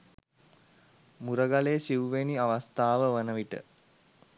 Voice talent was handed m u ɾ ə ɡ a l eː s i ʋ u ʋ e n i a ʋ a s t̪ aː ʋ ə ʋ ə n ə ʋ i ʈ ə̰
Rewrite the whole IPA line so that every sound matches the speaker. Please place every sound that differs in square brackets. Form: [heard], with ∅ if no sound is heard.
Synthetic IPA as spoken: m u ɾ ə ɡ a l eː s i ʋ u ʋ e n i a ʋ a s t̪ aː ʋ ə ʋ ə n ə ʋ i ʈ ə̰